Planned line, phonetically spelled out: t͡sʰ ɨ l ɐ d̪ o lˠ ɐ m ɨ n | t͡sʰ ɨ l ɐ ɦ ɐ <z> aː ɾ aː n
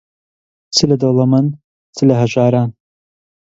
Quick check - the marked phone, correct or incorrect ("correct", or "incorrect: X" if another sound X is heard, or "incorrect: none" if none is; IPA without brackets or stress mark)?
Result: incorrect: ʒ